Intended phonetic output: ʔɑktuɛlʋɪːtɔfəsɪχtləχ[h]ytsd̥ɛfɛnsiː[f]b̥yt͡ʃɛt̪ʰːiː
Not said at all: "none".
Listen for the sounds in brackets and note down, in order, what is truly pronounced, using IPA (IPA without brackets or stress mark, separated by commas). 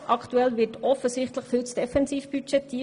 f, f